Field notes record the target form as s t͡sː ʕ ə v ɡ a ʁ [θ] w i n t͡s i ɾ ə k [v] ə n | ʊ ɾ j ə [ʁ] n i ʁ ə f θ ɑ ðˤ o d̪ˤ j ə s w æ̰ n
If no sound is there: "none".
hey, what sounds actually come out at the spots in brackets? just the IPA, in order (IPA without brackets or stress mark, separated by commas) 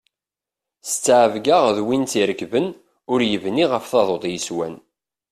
ð, v, v